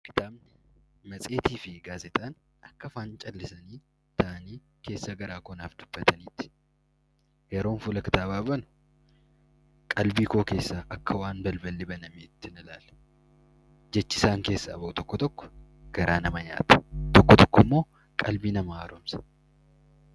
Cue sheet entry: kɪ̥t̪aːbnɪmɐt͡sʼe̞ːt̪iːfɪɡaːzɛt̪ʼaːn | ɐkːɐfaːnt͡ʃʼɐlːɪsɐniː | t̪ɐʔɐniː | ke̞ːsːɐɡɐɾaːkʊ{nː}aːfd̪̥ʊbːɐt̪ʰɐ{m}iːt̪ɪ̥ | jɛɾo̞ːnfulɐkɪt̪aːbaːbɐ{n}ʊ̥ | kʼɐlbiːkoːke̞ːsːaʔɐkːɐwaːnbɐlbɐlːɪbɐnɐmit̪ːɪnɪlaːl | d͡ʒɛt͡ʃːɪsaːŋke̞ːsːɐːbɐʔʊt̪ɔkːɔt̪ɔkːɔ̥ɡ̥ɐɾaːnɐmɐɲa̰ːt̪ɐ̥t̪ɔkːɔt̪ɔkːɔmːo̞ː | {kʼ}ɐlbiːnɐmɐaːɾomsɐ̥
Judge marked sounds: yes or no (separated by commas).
no, no, yes, yes